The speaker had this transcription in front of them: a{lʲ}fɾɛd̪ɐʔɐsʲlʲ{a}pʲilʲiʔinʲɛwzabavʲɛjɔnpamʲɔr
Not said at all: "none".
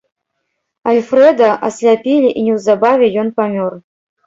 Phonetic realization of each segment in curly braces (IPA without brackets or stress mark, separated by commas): lʲ, a